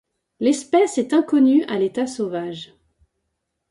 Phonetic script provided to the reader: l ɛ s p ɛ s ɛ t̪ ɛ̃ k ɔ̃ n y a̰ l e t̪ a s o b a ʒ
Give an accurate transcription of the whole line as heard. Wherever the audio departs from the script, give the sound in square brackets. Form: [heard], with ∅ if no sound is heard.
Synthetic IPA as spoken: l ɛ s p ɛ s ɛ t̪ ɛ̃ k [ɔ] n y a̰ l e t̪ a s o [v] a ʒ